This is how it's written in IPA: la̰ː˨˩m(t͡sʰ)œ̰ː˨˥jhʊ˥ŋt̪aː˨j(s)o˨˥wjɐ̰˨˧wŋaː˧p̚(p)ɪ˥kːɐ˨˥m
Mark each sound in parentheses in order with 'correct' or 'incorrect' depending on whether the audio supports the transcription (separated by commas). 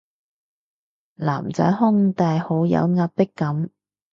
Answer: incorrect, incorrect, correct